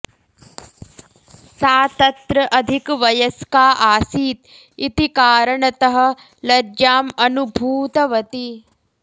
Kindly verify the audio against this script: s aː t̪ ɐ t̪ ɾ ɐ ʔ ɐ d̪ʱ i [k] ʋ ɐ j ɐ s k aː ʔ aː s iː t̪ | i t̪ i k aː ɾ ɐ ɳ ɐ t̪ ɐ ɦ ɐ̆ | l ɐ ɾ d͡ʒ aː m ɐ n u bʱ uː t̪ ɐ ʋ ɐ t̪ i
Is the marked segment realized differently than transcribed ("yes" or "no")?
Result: no